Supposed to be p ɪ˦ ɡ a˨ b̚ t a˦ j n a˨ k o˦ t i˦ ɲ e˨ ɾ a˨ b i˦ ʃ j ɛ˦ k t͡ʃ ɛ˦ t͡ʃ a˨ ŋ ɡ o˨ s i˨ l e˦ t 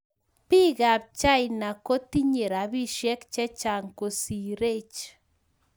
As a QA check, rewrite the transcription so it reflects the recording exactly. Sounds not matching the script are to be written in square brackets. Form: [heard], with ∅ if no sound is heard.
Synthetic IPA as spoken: p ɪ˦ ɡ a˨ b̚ [t͡ʃ] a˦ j n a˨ k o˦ t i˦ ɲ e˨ ɾ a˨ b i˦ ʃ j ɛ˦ k t͡ʃ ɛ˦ t͡ʃ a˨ ŋ [k] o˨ s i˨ [ɾ] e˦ [t͡ʃ]

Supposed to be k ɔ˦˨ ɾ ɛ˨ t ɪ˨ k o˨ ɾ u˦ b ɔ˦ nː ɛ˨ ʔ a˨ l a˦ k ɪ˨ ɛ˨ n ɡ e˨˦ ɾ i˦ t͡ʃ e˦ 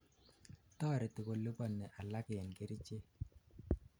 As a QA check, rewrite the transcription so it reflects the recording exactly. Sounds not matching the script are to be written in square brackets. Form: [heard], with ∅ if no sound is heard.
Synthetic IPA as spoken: [t] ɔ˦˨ ɾ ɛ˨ t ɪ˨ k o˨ [l] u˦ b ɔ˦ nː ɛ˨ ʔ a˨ l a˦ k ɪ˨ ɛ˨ n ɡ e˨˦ ɾ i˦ t͡ʃ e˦

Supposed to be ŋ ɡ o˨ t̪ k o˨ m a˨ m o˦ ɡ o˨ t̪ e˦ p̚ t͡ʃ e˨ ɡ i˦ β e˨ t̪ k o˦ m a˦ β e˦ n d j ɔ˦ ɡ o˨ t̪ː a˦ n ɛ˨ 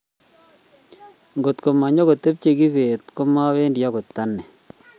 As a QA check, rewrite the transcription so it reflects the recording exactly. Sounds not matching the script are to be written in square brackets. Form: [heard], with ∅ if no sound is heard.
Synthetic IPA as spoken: ŋ ɡ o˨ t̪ k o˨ m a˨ [ɲ] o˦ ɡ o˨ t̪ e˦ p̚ t͡ʃ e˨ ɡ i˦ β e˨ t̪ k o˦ m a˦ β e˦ n d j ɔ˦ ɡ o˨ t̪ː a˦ n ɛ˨

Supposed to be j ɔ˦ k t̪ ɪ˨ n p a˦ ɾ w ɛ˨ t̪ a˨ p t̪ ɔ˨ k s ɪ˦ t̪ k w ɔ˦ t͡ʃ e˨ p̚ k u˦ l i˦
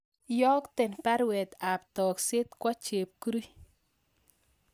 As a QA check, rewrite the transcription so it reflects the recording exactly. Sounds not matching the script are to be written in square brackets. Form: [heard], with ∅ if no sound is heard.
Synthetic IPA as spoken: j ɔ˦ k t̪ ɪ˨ n p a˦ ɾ w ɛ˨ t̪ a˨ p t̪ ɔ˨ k s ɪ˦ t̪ k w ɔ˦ t͡ʃ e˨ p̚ k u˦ [ɾ] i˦

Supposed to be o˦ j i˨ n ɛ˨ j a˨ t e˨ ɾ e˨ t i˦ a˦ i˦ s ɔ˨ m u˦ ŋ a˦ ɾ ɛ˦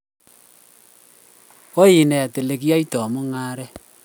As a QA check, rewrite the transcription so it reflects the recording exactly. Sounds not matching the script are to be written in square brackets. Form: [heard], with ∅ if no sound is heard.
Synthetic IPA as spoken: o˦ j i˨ n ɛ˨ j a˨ t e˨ [l] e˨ [k] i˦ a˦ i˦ [t] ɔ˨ m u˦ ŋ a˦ ɾ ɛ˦

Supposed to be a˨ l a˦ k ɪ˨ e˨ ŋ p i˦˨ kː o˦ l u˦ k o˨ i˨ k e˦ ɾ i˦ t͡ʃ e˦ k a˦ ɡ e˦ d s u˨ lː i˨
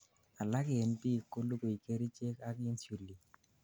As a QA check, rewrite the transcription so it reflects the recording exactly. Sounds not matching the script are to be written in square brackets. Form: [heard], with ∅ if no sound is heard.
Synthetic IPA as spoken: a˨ l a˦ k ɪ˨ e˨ [n] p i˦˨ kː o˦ l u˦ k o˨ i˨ k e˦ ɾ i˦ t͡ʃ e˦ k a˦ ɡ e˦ [n] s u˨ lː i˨

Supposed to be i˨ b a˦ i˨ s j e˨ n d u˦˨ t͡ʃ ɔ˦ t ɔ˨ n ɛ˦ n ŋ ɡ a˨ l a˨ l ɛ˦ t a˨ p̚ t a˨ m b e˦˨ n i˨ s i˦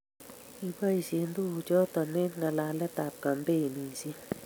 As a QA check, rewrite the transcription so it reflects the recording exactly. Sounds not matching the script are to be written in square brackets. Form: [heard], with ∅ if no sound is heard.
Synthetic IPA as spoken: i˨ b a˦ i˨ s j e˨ n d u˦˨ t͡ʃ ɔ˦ t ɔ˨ n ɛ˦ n ŋ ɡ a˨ l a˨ l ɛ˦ t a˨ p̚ [k] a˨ m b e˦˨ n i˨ s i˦

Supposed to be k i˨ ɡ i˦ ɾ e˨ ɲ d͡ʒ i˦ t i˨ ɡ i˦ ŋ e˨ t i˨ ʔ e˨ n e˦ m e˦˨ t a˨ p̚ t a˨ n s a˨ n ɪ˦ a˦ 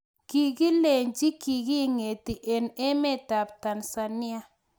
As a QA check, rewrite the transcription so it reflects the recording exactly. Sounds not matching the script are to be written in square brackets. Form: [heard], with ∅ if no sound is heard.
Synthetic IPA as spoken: k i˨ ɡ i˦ [l] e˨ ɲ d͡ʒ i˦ [k] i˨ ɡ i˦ ŋ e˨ t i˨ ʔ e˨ n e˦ m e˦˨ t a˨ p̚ t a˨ n s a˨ n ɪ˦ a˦

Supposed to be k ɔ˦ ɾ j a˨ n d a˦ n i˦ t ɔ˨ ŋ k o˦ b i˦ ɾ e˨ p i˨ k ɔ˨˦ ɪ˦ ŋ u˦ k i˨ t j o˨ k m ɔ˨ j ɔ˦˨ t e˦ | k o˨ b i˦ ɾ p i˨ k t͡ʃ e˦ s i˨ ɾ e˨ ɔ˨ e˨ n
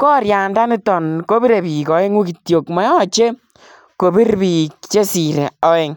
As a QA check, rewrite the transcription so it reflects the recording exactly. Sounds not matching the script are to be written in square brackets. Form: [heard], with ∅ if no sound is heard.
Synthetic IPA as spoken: k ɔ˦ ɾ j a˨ n d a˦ n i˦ t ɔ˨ [n] k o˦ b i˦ ɾ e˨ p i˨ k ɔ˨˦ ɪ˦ ŋ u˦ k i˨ t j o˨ k m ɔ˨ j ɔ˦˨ [t͡ʃ] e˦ | k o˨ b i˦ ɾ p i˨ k t͡ʃ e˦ s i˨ ɾ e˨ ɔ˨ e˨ [ŋ]

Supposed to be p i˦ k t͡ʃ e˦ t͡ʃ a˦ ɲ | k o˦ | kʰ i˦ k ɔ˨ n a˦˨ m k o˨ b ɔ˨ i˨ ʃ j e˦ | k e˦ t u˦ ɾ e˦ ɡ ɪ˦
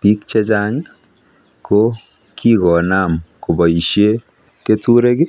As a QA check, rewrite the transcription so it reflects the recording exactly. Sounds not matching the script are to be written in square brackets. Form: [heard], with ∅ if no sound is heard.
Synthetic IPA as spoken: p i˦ k t͡ʃ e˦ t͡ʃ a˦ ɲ | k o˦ | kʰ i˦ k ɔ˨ n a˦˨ m k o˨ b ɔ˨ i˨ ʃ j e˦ | k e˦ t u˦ ɾ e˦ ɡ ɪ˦

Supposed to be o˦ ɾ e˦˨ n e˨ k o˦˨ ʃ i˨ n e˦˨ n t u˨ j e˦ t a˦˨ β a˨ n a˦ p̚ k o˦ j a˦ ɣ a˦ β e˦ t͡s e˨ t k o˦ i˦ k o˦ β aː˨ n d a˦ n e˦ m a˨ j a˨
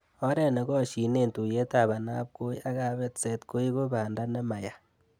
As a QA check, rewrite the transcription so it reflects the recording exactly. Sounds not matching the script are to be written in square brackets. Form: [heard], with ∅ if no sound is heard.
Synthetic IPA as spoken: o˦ ɾ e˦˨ n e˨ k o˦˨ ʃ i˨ n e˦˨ n t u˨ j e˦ t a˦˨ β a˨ n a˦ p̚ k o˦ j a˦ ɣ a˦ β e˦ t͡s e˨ t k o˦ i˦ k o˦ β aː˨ n d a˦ n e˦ m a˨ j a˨

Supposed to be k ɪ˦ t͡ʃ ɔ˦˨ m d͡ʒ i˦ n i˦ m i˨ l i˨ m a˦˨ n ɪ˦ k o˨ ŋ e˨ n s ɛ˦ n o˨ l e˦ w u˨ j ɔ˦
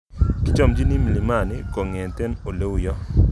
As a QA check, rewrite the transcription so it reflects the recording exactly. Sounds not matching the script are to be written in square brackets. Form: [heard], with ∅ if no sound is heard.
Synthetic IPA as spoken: k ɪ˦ t͡ʃ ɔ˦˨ m d͡ʒ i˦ n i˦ m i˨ l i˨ m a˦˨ n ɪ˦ k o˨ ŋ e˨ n [t] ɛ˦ n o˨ l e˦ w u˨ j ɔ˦

